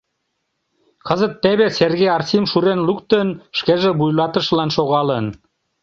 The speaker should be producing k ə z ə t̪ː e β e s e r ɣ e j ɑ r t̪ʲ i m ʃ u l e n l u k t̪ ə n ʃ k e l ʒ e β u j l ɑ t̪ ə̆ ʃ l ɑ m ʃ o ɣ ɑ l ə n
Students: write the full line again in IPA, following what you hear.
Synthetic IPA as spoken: k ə z ə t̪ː e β e s e r ɣ e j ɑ r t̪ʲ i m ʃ u ɾ e n l u k t̪ ə n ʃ k e ʒ e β u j l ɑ t̪ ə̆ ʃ l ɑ n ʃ o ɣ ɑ l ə n